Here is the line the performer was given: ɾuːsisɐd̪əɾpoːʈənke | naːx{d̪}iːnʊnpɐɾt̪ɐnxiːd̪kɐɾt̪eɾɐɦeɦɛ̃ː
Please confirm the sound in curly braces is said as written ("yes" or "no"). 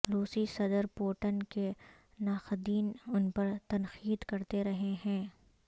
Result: yes